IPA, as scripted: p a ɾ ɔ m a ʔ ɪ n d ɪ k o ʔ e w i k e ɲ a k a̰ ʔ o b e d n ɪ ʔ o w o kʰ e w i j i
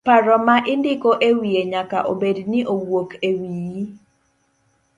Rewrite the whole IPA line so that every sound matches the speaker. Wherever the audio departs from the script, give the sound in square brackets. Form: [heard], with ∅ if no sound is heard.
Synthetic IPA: p a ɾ ɔ m a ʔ ɪ n d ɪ k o ʔ e w i [∅] e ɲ a k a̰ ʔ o b e d n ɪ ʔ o w o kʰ e w i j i